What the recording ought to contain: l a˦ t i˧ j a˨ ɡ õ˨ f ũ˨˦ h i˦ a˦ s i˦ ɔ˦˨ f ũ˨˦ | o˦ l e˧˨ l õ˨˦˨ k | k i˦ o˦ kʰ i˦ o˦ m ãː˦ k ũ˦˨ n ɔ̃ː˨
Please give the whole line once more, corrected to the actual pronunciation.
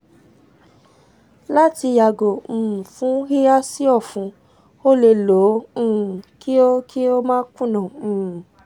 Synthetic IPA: l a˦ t i˧ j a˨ ɡ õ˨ f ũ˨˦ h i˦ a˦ s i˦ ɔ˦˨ f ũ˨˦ | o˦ l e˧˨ l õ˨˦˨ | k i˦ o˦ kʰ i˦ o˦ m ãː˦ k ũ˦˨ n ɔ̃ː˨